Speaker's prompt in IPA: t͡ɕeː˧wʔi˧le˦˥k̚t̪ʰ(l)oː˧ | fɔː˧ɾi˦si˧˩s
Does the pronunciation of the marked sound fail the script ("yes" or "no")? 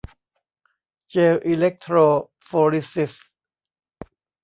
yes